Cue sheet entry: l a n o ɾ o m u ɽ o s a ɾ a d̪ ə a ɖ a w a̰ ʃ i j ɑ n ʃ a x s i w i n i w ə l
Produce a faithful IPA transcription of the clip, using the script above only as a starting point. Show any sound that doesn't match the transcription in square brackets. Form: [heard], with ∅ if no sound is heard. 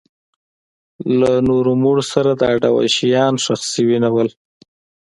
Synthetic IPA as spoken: l a n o ɾ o m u ɽ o s a ɾ a d̪ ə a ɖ a w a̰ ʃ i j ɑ n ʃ a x s i w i n [a] w ə l